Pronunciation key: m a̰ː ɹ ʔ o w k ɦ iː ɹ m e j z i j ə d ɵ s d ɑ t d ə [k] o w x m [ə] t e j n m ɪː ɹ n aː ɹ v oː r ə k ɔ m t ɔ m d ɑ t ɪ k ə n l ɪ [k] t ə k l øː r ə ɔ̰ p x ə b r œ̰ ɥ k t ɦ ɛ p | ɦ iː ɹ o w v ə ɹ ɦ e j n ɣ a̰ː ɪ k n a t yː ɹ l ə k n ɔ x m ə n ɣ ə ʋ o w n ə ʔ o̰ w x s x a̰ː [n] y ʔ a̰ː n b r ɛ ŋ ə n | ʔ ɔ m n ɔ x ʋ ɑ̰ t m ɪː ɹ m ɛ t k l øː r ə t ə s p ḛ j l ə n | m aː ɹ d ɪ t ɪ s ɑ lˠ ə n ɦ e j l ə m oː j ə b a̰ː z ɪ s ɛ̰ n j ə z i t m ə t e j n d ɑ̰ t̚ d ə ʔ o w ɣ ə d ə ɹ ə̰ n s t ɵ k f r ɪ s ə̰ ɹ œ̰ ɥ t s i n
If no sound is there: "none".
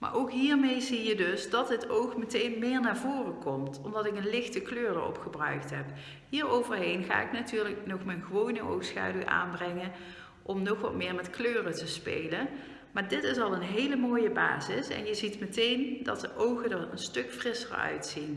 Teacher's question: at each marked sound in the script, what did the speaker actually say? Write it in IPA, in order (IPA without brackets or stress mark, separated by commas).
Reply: t, ə, x, d